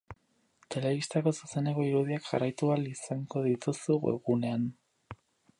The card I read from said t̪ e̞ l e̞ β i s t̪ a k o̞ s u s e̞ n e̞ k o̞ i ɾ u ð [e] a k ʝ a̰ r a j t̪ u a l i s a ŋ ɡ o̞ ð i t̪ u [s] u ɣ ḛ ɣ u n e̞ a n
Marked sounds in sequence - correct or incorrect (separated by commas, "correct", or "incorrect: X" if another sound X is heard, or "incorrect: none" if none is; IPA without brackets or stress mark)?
incorrect: i, correct